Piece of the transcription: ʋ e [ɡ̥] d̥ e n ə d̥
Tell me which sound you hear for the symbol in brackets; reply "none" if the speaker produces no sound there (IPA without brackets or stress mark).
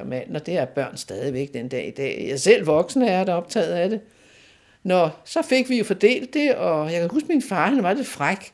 ɡ̥